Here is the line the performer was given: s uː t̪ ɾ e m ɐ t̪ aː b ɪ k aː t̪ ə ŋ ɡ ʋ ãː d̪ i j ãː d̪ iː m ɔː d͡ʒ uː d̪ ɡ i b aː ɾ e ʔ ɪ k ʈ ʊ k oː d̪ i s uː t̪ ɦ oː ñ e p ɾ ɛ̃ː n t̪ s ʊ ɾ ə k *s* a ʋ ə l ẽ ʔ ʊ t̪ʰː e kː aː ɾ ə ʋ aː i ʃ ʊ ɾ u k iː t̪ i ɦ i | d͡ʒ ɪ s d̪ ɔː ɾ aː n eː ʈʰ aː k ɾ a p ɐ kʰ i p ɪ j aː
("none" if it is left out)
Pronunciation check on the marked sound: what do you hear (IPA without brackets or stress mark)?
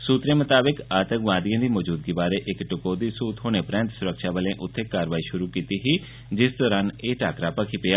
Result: ʃ